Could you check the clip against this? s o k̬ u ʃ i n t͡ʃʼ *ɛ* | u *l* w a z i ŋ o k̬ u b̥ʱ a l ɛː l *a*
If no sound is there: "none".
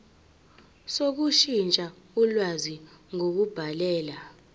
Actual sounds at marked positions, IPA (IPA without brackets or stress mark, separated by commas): a, l, a